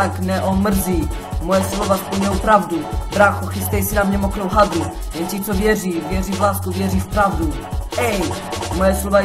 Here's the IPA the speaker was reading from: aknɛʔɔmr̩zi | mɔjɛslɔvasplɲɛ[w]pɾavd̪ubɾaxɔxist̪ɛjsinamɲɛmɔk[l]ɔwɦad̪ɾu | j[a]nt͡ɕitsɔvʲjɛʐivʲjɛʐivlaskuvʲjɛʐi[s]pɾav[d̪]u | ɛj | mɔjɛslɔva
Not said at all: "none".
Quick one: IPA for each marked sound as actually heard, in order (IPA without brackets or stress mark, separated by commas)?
w, ɾ, ɛ, f, d̪